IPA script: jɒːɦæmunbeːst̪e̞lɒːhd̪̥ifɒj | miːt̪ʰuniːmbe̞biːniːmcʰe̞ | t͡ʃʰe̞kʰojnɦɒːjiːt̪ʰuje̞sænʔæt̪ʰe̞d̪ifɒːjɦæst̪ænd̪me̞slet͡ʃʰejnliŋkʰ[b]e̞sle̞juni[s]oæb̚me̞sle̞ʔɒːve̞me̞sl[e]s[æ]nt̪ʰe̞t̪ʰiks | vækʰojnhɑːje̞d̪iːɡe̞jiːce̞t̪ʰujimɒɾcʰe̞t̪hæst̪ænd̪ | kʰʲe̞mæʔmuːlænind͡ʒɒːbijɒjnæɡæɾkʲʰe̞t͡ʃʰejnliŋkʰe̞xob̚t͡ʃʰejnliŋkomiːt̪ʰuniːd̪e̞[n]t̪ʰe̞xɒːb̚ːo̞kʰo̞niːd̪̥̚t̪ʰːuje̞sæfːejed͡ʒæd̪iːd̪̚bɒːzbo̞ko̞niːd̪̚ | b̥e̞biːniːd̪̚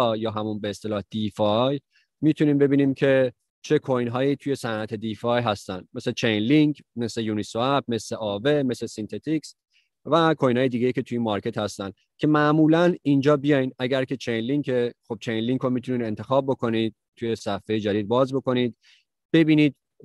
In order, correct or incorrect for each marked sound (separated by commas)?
incorrect, correct, correct, incorrect, correct